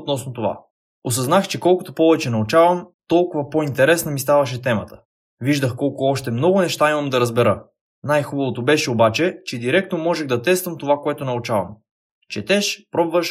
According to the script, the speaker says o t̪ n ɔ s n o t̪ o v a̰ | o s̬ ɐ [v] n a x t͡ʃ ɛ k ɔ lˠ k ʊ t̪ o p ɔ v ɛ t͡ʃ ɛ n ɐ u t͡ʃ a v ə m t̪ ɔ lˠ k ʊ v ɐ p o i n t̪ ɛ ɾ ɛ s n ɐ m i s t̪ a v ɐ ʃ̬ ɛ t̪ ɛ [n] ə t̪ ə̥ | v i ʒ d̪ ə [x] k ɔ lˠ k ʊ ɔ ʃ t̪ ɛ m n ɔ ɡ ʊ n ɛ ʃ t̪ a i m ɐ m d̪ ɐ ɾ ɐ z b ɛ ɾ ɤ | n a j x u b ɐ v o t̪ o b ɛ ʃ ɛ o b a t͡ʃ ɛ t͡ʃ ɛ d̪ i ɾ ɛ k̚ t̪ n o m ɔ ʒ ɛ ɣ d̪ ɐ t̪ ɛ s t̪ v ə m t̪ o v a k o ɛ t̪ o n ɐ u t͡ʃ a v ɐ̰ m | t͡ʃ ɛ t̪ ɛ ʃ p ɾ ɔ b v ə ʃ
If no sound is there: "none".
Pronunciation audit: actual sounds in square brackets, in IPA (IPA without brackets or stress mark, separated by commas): z, m, x